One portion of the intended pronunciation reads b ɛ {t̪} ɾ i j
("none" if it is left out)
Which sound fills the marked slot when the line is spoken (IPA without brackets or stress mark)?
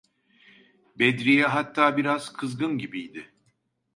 d̪